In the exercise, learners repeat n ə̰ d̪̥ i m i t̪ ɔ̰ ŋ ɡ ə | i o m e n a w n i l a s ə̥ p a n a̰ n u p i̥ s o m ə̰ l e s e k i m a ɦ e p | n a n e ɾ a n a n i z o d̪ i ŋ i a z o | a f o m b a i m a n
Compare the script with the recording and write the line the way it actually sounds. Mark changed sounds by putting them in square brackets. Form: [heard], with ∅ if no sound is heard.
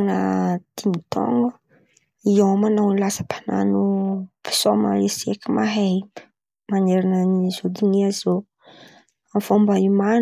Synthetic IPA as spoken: n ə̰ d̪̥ i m i t̪ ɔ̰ ŋ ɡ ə | i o m [a] n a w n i l a s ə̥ p a n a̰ n u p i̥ s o m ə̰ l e s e k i m a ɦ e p | [m] a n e ɾ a n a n i z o d̪ i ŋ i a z o | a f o m b a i m a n